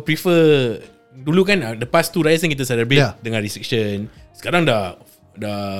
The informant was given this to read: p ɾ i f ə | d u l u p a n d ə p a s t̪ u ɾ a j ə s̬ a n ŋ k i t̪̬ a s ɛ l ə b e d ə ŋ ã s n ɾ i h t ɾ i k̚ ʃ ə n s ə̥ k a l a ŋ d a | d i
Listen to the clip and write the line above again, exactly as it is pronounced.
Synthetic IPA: p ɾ i f ə | d u l u k a n d ə p a s t̪ u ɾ a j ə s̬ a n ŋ k i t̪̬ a s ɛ l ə b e d ə ŋ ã n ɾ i s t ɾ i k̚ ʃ ə n s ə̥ k a ɾ a ŋ d a | d a